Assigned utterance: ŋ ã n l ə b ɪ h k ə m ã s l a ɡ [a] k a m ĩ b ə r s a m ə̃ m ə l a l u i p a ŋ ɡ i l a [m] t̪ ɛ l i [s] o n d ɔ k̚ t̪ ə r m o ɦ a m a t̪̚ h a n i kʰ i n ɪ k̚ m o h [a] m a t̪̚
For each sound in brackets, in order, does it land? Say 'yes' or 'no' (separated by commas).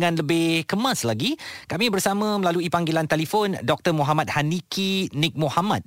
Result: no, no, no, yes